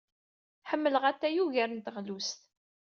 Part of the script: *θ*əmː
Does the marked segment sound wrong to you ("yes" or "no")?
yes